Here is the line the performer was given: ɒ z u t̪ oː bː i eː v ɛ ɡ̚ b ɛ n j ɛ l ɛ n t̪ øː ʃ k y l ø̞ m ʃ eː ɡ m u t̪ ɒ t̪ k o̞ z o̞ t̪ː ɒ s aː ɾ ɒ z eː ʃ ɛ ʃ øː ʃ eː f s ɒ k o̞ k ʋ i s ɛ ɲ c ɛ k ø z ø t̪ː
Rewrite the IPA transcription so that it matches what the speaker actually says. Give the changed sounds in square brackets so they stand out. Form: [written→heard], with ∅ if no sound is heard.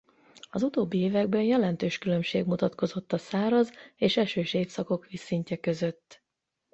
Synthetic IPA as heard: ɒ z u t̪ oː bː i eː v ɛ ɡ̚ b ɛ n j ɛ l ɛ n t̪ øː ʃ k y l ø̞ m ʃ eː ɡ m u t̪ ɒ t̪ k o̞ z o̞ t̪ː ɒ s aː ɾ ɒ z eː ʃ ɛ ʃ øː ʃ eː f s ɒ k o̞ k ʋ i s [ɛ→i] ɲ c ɛ k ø z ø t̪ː